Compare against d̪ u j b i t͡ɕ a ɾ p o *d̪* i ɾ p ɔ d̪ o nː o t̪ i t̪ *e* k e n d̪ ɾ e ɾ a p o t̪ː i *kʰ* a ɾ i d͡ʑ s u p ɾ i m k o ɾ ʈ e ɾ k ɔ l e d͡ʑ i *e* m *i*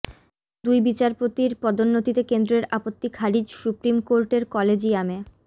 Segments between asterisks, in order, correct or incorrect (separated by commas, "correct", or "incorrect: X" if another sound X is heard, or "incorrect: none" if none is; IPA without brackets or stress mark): incorrect: t̪, correct, correct, incorrect: a, incorrect: e